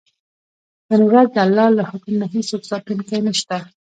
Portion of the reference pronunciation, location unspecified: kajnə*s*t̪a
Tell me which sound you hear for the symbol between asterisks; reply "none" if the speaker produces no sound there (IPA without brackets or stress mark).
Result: ʃ